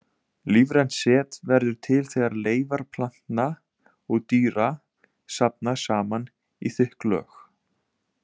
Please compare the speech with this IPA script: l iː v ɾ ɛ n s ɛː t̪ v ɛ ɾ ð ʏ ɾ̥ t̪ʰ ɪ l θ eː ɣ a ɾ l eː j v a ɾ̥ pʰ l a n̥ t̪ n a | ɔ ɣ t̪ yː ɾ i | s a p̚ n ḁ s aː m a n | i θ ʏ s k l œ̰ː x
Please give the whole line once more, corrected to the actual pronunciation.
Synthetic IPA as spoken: l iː v ɾ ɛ n s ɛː t̪ v ɛ ɾ ð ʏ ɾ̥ t̪ʰ ɪ l θ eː ɣ a ɾ l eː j v a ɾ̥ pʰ l a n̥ t̪ n a | ɔ ɣ t̪ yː ɾ a | s a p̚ n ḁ s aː m a n | i θ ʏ h k l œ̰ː x